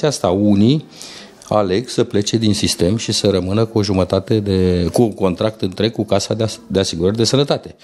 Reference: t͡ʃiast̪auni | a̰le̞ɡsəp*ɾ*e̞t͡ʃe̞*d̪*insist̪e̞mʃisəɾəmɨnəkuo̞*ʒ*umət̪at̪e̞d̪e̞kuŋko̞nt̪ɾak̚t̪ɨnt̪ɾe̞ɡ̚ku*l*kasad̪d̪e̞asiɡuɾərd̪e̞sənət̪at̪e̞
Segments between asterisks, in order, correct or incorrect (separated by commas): incorrect, correct, correct, incorrect